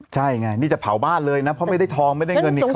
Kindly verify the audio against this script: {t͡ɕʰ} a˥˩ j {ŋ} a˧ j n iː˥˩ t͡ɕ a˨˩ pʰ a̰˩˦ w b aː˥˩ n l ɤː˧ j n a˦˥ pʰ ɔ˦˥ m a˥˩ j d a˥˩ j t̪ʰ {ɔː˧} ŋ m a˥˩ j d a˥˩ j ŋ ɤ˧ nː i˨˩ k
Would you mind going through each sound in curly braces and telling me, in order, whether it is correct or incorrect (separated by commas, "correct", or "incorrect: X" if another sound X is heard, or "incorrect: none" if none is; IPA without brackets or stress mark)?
correct, correct, correct